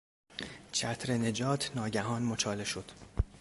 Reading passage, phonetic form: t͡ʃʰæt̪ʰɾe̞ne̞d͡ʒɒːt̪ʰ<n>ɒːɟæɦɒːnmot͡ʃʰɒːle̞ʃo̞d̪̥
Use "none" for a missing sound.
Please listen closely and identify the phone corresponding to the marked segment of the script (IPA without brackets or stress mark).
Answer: n